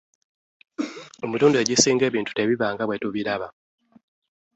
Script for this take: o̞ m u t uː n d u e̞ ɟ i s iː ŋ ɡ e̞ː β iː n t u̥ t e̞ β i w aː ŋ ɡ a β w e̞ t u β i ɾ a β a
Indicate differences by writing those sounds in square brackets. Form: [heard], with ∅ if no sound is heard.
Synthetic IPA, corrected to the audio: o̞ m u t uː n d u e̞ ɟ i s iː ŋ ɡ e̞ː β iː n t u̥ t e̞ β i [β] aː ŋ ɡ a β w e̞ t u β i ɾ a β a